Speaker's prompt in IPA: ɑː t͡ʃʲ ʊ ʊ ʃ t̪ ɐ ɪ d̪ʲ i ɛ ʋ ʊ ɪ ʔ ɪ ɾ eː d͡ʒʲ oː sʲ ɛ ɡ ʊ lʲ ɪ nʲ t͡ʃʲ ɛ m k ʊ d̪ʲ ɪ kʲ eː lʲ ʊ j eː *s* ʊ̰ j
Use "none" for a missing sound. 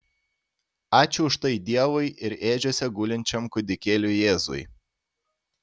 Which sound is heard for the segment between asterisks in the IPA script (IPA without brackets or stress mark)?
z